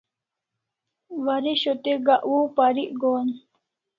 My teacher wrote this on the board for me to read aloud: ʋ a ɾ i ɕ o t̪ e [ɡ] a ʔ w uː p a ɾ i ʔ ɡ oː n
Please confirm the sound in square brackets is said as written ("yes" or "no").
yes